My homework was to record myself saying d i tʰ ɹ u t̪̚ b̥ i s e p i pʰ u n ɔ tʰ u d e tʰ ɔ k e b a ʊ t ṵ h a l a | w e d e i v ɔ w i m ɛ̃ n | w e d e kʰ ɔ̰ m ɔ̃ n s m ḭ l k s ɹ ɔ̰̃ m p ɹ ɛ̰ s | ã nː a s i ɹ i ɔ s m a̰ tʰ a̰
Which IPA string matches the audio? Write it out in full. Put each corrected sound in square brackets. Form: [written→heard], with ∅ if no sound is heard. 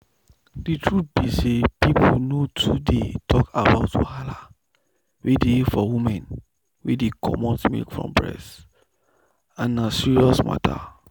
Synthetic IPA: d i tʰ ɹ u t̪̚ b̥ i s e p i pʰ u n [ɔ→o] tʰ u d e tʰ ɔ k [e→a] b a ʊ t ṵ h a l a | w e d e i [v→f] ɔ w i m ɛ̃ n | w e d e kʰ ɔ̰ m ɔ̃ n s m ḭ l k [s→f] ɹ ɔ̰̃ m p ɹ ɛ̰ s | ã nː a s i ɹ i ɔ s m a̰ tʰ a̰